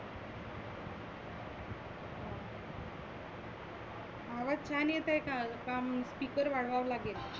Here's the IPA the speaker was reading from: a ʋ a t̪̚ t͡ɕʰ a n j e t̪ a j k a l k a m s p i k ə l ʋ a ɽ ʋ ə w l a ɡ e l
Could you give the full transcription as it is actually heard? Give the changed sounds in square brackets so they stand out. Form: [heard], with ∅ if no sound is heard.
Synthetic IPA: a ʋ a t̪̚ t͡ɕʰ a n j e t̪ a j k a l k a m s p i k ə [ɾ] ʋ a ɽ ʋ [a] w l a ɡ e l